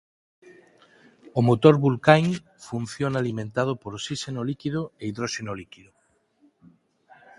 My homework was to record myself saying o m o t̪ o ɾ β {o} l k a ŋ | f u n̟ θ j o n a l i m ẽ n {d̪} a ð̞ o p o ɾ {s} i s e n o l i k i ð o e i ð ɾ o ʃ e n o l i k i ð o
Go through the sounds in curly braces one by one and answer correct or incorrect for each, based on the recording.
incorrect: u, incorrect: t̪, correct

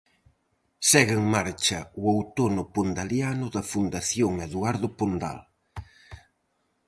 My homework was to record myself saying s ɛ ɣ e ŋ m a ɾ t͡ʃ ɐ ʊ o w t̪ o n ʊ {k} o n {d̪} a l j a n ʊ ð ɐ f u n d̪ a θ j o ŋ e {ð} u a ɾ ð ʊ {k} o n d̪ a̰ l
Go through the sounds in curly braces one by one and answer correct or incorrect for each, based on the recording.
incorrect: p, correct, correct, incorrect: p

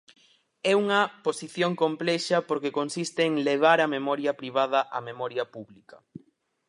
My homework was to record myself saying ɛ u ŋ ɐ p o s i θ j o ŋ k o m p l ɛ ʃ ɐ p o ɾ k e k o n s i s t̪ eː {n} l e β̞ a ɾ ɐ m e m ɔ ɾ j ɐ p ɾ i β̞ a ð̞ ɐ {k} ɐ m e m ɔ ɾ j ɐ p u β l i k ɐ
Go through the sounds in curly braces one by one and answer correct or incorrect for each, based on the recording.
incorrect: ŋ, incorrect: ʔ

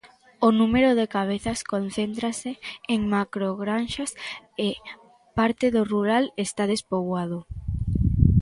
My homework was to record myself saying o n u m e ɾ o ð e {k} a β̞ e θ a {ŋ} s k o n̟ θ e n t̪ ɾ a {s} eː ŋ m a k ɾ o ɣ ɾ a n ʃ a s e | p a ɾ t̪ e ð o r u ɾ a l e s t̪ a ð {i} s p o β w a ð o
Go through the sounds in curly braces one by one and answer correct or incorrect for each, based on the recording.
correct, incorrect: none, correct, incorrect: e

